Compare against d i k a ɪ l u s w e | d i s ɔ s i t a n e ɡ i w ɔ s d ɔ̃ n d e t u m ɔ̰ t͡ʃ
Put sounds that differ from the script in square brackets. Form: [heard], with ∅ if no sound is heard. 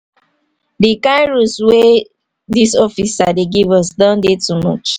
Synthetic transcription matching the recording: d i k a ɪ [ɹ] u s w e | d i s ɔ [f] i [s] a [d] e ɡ i [v] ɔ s d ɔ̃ n d e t u m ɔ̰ t͡ʃ